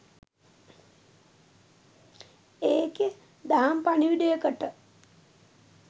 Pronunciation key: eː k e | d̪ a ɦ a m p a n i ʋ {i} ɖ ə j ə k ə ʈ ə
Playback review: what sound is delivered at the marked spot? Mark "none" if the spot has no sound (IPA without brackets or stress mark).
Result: i